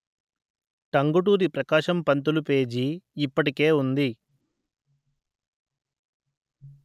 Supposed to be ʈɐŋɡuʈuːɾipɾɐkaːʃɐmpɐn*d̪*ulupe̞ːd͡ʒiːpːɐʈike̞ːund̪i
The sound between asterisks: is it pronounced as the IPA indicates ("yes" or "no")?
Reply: no